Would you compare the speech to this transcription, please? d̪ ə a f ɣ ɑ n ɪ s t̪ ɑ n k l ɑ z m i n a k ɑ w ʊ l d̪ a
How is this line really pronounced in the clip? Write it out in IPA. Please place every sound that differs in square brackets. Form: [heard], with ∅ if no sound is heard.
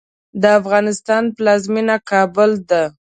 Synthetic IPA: d̪ ə a f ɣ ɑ n ɪ s t̪ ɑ n [p] l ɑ z m i n a k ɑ [b] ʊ l d̪ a